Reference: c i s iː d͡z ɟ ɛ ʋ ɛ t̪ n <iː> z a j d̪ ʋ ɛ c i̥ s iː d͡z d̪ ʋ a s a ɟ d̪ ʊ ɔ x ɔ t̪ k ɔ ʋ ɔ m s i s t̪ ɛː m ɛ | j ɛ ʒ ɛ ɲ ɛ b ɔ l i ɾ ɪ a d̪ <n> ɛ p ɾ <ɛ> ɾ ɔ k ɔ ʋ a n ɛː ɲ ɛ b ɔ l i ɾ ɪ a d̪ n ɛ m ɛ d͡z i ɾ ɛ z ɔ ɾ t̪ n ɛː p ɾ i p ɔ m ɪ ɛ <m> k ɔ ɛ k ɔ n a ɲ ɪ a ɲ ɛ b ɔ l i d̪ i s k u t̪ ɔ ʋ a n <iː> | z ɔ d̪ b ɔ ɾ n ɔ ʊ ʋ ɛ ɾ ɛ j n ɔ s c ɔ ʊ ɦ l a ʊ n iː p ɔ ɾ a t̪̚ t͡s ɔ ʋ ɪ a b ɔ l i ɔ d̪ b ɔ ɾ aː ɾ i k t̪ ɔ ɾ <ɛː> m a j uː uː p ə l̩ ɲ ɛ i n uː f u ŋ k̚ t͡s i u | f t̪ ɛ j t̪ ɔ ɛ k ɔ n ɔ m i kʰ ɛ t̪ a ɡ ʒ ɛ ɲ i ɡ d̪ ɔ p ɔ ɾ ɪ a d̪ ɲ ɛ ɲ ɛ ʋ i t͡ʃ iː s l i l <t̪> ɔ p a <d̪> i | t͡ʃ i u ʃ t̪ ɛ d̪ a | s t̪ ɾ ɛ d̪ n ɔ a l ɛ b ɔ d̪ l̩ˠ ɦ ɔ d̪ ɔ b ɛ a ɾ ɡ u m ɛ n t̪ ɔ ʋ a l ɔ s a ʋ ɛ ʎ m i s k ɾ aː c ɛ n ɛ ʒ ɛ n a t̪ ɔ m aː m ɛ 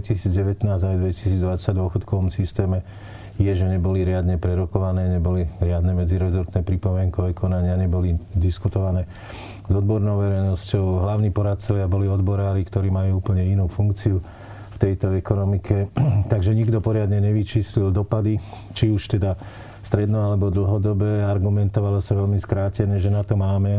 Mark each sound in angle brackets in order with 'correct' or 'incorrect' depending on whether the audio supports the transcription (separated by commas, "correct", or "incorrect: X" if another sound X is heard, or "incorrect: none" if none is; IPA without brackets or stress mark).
incorrect: aː, incorrect: ɲ, correct, incorrect: ŋ, incorrect: ɛː, incorrect: iː, incorrect: d̪, correct